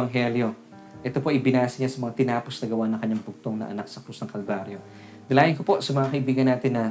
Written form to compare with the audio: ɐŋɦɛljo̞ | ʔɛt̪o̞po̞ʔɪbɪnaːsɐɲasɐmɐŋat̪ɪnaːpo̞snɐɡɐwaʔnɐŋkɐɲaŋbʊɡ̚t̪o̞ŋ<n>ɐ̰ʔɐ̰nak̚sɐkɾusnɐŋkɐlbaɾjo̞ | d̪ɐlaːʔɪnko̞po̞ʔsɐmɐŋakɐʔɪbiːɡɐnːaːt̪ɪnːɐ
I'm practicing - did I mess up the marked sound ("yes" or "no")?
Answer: no